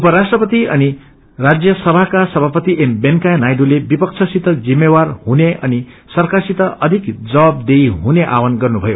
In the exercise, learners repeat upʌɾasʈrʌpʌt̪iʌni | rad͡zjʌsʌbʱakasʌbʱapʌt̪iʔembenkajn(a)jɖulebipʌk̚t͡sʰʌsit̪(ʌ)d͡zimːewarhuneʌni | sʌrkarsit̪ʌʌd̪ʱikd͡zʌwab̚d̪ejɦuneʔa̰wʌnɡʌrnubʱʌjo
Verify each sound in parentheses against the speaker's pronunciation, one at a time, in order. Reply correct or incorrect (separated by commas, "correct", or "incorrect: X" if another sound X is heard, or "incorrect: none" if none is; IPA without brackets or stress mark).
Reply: correct, correct